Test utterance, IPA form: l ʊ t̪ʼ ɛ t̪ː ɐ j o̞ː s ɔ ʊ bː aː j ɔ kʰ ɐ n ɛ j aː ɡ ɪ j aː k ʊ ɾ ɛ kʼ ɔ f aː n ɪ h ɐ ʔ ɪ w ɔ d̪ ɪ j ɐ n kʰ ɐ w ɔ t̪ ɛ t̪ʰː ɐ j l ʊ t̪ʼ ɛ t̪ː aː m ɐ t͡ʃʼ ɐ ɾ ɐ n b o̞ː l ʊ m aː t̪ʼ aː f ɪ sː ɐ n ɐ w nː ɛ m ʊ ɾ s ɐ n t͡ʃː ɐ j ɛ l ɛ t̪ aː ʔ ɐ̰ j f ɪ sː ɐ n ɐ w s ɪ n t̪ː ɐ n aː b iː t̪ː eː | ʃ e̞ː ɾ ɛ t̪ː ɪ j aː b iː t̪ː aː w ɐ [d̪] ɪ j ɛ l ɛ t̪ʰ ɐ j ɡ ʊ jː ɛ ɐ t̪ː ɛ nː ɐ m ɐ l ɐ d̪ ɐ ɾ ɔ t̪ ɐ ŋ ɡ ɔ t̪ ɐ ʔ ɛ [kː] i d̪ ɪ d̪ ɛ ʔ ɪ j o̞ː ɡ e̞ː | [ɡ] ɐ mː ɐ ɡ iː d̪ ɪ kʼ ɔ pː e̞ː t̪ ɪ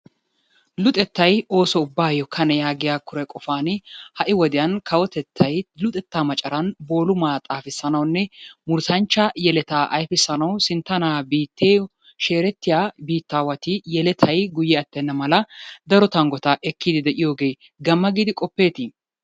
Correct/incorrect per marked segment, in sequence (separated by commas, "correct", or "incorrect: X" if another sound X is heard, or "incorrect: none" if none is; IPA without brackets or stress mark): incorrect: t̪, correct, correct